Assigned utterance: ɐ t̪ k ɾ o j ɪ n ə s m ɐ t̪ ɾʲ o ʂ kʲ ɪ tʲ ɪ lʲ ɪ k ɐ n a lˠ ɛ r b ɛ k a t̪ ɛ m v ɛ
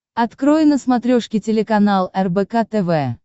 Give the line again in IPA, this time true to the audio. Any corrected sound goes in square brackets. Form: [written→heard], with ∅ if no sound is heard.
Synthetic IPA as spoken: ɐ t̪ k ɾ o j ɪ n ə s m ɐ t̪ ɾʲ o ʂ kʲ ɪ tʲ ɪ lʲ ɪ k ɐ n a lˠ ɛ r b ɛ k a t̪ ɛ [m→∅] v ɛ